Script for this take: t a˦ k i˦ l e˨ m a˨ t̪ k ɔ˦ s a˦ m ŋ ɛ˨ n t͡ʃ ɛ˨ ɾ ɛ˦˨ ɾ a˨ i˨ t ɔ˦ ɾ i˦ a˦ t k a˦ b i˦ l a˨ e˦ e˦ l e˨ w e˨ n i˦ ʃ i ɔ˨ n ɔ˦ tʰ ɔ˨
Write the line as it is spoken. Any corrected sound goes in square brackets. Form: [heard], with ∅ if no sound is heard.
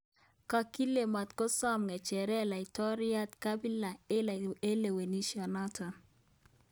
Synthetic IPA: [k] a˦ k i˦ l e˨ m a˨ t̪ k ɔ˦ s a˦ m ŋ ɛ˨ [∅] t͡ʃ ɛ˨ ɾ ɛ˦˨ [l] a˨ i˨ t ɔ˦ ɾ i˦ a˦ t k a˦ b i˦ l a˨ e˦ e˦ l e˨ w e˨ n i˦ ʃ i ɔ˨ n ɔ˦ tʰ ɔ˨

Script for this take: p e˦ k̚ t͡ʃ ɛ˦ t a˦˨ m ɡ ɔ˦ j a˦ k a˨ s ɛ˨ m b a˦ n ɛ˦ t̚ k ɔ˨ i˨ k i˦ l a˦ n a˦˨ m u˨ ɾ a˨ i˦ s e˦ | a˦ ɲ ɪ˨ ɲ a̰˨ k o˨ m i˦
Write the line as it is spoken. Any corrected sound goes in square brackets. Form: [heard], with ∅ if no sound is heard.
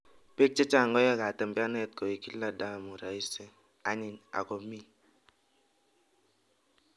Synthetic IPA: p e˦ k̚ t͡ʃ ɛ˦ [t͡ʃ] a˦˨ [ŋ] ɡ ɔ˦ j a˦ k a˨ [t] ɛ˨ m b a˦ n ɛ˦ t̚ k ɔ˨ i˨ k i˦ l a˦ [d] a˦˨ m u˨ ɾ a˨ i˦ s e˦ | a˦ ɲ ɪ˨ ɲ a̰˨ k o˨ m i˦

